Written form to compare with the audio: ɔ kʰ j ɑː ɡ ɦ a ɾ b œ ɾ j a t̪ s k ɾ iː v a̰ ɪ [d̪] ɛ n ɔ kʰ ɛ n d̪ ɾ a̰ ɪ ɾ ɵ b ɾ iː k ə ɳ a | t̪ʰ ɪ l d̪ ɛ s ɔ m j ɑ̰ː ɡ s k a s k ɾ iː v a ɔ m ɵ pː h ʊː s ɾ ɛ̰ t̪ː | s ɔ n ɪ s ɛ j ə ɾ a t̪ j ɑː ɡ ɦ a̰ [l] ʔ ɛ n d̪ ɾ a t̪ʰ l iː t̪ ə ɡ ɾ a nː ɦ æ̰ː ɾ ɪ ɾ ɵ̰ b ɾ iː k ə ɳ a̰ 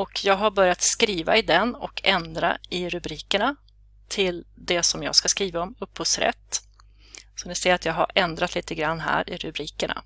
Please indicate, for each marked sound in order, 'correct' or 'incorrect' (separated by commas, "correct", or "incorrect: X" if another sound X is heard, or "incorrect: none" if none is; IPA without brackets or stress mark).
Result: correct, incorrect: ɾ